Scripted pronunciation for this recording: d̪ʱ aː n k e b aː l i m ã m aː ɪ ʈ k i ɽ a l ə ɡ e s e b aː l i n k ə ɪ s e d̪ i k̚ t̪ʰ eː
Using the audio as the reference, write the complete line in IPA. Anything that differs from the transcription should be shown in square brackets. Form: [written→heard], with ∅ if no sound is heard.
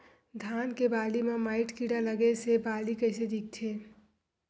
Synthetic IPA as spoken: d̪ʱ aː n k e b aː l i m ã m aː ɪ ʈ k i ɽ a l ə ɡ e s e b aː l i [n→∅] k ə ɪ s e d̪ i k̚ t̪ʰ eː